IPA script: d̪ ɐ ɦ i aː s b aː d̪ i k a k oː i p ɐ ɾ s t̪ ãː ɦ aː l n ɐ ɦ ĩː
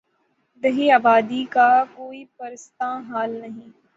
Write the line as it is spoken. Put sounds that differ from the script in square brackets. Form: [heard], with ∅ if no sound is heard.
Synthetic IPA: d̪ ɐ ɦ i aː [∅] b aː d̪ i k a k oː i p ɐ ɾ s t̪ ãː ɦ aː l n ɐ ɦ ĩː